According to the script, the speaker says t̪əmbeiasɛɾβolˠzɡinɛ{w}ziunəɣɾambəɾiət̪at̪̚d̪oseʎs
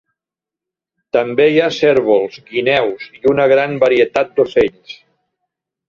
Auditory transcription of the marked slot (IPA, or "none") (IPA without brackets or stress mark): w